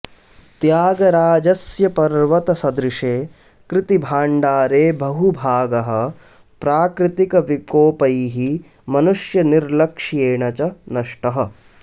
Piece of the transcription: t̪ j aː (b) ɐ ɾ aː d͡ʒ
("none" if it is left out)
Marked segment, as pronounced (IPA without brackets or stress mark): ɡ